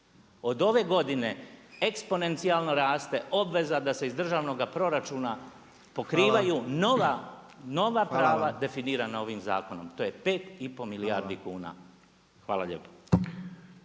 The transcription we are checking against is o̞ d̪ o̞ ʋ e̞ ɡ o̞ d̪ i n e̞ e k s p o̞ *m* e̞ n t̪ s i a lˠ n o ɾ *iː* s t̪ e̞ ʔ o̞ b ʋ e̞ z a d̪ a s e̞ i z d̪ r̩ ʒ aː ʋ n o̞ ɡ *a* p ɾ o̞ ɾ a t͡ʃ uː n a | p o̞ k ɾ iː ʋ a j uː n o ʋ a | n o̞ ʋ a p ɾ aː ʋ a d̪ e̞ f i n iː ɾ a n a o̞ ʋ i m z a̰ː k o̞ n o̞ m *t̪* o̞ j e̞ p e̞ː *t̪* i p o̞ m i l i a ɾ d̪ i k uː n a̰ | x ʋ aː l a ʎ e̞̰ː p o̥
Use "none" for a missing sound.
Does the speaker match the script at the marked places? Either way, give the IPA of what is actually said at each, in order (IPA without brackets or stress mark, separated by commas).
n, aː, a, t̪, t̪